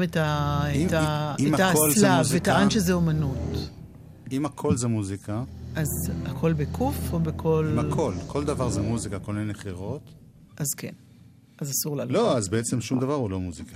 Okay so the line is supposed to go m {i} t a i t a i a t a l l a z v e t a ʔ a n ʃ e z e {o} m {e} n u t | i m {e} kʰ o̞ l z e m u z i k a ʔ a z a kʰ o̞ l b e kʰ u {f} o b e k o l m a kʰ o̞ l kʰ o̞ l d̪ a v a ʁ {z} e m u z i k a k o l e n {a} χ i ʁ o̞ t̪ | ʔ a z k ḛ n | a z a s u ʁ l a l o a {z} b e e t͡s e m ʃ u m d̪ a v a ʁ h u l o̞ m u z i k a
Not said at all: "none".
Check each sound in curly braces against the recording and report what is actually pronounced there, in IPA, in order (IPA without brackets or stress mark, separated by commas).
e, o, a, a, f, z, e, z